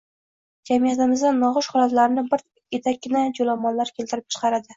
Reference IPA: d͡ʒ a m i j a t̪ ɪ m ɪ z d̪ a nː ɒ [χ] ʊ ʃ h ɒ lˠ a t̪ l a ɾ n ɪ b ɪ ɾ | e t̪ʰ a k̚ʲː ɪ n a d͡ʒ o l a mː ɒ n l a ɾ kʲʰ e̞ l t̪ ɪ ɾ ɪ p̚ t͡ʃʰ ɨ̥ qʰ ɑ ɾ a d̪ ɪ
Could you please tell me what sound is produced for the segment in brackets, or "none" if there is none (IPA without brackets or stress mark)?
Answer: ʁ